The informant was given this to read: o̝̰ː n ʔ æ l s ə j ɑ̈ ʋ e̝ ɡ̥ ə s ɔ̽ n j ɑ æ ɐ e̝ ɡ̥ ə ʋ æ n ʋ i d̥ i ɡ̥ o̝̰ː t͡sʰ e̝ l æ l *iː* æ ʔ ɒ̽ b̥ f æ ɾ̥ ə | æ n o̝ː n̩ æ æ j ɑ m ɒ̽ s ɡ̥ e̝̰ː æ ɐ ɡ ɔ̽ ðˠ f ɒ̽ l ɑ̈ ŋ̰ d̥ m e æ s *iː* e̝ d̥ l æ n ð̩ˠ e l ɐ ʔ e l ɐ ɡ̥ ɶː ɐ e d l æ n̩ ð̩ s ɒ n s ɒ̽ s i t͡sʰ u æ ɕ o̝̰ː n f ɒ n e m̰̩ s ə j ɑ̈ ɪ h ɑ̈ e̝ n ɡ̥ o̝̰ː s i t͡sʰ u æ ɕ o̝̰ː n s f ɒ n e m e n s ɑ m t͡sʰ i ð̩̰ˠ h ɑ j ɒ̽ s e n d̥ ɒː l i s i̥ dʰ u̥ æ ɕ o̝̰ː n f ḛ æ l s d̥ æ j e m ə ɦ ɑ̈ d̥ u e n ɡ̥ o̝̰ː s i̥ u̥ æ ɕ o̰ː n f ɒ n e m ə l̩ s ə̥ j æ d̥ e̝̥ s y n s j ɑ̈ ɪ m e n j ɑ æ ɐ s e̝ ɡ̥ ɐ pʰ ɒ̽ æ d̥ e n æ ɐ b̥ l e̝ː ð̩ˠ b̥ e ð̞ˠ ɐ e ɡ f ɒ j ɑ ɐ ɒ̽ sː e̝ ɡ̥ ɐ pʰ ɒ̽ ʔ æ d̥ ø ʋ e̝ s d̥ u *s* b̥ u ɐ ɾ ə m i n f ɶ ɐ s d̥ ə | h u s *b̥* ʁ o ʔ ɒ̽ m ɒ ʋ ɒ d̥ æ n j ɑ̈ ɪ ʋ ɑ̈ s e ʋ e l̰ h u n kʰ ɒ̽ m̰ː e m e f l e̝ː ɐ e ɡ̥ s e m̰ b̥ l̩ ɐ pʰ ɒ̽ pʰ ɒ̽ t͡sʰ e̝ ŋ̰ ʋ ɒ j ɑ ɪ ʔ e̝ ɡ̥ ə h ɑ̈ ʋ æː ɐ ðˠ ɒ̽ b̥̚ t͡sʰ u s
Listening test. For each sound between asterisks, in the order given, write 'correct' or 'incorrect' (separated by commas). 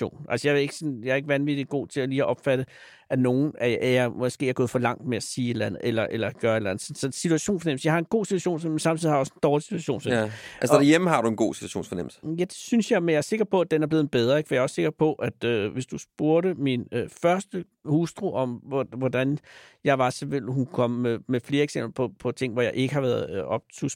correct, correct, correct, incorrect